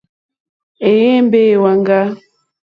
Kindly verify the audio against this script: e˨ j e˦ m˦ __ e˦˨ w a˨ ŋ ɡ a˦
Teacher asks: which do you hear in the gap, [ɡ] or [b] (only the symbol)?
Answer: b